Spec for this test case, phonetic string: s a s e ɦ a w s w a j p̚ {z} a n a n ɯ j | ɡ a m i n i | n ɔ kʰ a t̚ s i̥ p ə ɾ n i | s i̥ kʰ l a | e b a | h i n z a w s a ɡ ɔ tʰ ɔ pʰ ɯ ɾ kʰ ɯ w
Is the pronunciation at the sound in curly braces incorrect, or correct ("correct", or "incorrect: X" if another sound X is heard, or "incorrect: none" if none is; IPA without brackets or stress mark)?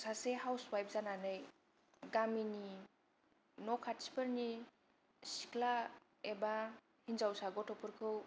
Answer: correct